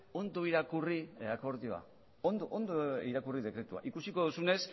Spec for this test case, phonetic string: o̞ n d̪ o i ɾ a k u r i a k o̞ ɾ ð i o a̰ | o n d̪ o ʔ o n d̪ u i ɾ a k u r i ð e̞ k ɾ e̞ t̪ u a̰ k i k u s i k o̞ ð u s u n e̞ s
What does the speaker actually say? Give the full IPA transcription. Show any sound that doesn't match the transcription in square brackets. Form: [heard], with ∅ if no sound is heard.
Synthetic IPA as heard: o̞ n d̪ o i ɾ a k u r i a k o̞ ɾ ð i o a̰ | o n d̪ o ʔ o n d̪ [o] i ɾ a k u r i ð e̞ k ɾ e̞ t̪ u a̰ [ʔ] i k u s i k o̞ ð u s u n e̞ s